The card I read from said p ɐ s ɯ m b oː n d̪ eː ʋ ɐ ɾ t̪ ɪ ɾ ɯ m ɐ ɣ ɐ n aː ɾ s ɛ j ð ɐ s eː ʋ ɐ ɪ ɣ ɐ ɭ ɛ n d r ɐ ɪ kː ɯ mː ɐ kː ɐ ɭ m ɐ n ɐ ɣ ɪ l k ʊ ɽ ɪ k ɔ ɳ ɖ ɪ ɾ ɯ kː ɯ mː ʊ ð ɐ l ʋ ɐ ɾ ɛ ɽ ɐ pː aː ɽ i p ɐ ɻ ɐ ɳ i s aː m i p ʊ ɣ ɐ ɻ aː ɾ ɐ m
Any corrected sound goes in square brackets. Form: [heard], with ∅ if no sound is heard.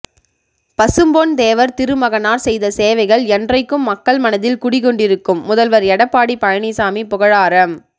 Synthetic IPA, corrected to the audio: p ɐ s ɯ m b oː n d̪ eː ʋ ɐ ɾ t̪ ɪ ɾ ɯ m ɐ ɣ ɐ n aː ɾ s ɛ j ð ɐ s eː ʋ ɐ ɪ ɣ ɐ ɭ ɛ n d r ɐ ɪ kː ɯ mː ɐ kː ɐ ɭ m ɐ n ɐ [ð] ɪ l k ʊ ɽ ɪ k ɔ ɳ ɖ ɪ ɾ ɯ kː ɯ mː ʊ ð ɐ l ʋ ɐ ɾ ɛ ɽ ɐ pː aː ɽ i p ɐ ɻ ɐ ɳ i s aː m i p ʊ ɣ ɐ ɻ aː ɾ ɐ m